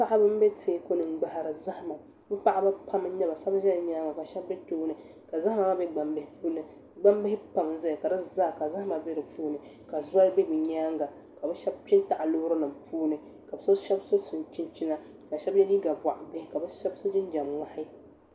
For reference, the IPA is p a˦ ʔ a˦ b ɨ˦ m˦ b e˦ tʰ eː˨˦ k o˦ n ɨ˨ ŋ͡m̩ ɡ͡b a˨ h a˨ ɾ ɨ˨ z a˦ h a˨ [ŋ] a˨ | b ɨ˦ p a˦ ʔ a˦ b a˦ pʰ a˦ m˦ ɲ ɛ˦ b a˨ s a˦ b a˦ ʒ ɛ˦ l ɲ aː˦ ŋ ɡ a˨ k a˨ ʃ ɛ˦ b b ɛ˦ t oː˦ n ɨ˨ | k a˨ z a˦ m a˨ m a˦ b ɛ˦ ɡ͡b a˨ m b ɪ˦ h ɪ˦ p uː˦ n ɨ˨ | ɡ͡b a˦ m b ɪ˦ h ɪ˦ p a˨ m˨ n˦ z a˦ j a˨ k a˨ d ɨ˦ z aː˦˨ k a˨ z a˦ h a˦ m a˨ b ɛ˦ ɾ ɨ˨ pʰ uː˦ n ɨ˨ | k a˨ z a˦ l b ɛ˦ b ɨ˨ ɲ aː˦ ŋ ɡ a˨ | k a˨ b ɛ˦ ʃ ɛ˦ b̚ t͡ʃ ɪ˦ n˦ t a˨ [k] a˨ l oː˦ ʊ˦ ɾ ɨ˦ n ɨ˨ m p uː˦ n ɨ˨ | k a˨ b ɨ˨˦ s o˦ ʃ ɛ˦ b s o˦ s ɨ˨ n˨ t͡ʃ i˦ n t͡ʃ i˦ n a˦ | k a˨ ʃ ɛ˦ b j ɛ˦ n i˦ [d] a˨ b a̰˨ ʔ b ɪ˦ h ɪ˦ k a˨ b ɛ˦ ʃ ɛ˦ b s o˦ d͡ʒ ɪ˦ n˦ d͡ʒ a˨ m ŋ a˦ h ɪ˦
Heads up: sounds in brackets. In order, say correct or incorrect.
incorrect: m, incorrect: ʔ, incorrect: ɡ

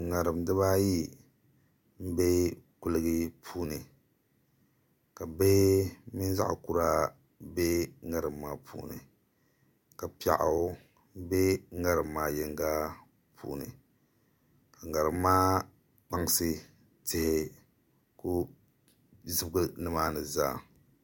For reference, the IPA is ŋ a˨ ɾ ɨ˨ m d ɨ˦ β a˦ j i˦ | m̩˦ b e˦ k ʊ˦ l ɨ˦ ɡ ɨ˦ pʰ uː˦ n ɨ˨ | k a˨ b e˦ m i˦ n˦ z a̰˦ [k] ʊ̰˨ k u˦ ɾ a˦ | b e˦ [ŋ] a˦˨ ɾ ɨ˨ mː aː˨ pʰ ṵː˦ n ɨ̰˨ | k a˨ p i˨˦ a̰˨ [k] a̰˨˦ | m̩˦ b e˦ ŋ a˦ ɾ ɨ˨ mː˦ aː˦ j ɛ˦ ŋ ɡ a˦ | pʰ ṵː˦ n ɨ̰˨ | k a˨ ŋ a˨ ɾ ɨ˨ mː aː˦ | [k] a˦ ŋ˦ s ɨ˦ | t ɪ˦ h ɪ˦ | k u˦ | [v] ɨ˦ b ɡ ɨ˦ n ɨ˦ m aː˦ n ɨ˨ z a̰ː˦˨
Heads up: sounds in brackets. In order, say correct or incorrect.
incorrect: ʔ, correct, incorrect: ʔ, incorrect: k͡p, incorrect: z

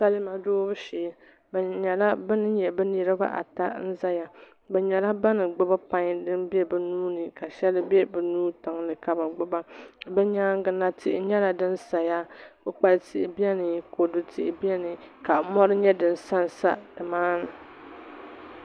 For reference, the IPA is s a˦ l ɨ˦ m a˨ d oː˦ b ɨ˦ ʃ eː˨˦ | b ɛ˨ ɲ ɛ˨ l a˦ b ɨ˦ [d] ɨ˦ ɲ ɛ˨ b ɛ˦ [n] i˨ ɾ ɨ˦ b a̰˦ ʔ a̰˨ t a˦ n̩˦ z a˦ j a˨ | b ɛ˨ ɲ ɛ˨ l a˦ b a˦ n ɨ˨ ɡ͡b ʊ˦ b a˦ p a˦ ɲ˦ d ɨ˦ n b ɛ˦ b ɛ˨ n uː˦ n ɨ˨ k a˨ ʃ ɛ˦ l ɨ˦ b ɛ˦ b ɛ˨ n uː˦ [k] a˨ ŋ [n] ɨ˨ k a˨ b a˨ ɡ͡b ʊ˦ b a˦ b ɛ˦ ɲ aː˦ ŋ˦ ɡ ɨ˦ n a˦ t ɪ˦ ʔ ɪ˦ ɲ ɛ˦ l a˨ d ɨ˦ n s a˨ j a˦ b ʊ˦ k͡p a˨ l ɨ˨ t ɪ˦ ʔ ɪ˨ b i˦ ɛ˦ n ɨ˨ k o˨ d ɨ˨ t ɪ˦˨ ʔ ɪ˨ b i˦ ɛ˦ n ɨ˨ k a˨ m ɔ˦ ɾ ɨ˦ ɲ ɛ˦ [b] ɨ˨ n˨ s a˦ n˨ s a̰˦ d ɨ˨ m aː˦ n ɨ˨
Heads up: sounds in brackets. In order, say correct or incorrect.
incorrect: n, correct, incorrect: t, correct, incorrect: d

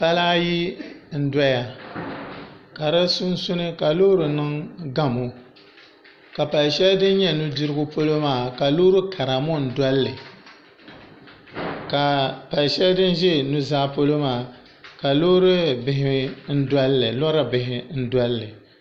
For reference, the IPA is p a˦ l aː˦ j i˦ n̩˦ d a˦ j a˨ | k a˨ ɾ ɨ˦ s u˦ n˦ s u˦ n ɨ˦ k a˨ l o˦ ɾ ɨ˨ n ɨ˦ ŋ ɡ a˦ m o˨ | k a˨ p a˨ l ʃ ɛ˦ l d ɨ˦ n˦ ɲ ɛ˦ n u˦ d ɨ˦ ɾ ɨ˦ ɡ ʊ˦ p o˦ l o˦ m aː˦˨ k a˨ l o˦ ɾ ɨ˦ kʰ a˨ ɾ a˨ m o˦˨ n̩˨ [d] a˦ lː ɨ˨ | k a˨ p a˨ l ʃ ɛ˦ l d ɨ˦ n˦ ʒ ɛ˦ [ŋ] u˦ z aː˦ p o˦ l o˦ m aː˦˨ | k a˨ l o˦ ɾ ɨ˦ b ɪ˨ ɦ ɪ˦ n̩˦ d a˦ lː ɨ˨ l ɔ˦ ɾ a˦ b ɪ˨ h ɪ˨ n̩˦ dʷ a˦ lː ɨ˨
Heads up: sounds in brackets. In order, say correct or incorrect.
correct, incorrect: n

